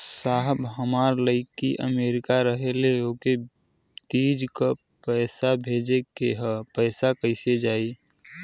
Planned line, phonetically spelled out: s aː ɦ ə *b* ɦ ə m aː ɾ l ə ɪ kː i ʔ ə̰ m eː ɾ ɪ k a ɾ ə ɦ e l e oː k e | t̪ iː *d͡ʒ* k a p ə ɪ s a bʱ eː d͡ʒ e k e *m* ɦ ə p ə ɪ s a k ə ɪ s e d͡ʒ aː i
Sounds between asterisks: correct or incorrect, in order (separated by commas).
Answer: correct, correct, incorrect